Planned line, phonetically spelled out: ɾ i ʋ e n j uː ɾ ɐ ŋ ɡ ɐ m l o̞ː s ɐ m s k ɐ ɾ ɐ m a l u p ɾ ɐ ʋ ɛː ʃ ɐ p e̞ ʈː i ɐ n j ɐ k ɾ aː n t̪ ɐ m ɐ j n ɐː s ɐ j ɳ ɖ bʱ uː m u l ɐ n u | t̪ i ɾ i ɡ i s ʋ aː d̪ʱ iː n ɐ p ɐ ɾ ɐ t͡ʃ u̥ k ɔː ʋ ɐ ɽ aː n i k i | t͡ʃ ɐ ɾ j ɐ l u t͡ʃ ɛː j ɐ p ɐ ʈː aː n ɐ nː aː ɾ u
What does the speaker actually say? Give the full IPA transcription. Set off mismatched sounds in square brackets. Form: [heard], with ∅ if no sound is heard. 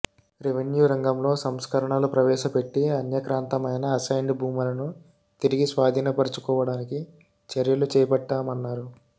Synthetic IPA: ɾ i ʋ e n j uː ɾ ɐ ŋ ɡ ɐ m l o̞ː s ɐ m s k ɐ ɾ ɐ [ɳ] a l u p ɾ ɐ ʋ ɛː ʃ ɐ p e̞ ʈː i ɐ n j ɐ k ɾ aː n t̪ ɐ m ɐ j n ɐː s ɐ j ɳ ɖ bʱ uː m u l ɐ n u | t̪ i ɾ i ɡ i s ʋ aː d̪ʱ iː n ɐ p ɐ ɾ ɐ t͡ʃ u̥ k ɔː ʋ ɐ ɽ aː n i k i | t͡ʃ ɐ ɾ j ɐ l u t͡ʃ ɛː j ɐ p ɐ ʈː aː [m] ɐ nː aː ɾ u